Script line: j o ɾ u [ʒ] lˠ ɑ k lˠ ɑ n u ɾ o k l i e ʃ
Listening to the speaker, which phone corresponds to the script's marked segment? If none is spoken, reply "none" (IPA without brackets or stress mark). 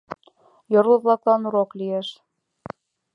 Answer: ð